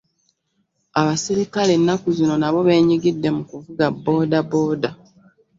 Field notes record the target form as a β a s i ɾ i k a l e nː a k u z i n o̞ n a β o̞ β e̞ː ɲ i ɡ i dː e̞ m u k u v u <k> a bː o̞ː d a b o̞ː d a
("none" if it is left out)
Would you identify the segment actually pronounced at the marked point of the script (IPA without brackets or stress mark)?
ɡ